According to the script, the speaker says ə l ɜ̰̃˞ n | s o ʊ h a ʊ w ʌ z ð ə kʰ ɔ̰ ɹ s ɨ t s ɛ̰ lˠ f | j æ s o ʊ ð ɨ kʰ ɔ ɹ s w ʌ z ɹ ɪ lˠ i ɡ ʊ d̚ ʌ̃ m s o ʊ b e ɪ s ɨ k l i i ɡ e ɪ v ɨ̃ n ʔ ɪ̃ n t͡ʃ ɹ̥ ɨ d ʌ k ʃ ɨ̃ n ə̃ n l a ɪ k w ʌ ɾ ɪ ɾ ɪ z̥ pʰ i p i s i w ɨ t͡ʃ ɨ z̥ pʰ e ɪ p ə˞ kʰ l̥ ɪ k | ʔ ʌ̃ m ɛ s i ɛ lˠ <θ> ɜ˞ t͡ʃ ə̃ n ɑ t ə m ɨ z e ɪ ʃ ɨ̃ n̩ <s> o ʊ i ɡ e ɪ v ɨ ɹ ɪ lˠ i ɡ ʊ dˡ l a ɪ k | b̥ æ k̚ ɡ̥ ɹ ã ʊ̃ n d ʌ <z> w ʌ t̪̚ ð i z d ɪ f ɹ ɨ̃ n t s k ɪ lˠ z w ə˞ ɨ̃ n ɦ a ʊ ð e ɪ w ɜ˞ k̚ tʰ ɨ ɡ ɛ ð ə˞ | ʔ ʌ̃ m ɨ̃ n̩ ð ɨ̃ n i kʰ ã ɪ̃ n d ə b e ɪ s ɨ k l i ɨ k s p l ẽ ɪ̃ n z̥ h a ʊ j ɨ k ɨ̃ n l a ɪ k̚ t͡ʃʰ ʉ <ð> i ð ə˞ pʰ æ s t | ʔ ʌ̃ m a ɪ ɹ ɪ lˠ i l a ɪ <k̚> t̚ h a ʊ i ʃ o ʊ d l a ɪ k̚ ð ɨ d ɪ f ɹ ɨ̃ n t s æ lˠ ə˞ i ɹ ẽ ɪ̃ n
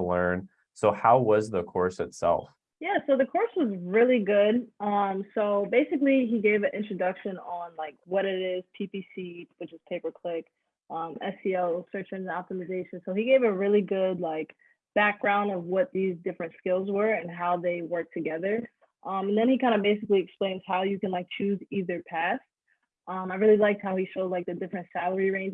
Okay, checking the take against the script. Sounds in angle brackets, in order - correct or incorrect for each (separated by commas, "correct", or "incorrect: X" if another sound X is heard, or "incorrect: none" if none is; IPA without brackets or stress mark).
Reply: incorrect: s, correct, incorrect: v, incorrect: z, correct